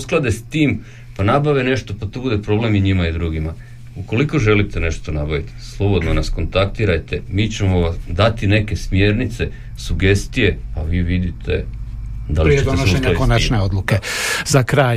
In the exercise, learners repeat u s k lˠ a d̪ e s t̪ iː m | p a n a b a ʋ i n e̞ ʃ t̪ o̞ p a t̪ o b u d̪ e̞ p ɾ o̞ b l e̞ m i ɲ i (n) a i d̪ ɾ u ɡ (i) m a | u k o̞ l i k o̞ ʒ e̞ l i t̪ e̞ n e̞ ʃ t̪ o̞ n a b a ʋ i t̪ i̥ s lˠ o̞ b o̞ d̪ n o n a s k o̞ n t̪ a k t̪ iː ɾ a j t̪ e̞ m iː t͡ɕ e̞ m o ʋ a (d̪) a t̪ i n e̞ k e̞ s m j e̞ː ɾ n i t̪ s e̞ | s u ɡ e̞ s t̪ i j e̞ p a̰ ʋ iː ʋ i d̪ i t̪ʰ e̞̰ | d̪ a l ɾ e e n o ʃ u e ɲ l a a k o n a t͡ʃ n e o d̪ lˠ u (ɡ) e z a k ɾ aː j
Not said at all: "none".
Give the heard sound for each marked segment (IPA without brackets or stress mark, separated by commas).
m, i, d̪, k